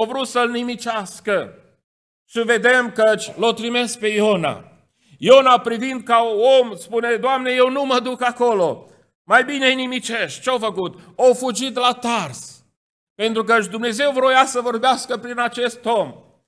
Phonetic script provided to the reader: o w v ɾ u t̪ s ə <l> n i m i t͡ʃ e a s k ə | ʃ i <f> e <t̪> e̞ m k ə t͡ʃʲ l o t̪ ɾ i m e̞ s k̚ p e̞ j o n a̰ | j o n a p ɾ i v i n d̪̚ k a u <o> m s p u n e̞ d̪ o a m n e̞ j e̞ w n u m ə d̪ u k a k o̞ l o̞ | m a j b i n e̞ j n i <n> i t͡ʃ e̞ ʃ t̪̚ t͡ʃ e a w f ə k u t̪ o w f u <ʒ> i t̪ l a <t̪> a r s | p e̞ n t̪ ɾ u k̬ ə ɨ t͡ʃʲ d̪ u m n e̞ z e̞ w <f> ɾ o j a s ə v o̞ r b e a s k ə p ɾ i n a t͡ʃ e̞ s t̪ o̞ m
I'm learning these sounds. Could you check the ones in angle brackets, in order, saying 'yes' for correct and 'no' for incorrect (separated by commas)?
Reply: yes, no, no, yes, no, no, yes, no